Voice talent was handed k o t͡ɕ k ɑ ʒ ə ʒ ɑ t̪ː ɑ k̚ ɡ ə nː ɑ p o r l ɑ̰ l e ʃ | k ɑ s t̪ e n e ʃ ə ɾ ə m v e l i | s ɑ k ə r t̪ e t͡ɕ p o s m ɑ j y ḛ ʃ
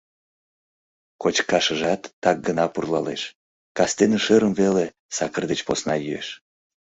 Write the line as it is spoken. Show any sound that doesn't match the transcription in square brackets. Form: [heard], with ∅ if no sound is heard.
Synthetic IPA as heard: k o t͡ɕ k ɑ [ʃ] ə ʒ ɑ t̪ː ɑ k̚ ɡ ə [n] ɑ p [u] r l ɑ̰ l e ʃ | k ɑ s t̪ e n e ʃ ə ɾ ə m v e l [e] | s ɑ k ə r [d̪] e t͡ɕ p o s [n] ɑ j y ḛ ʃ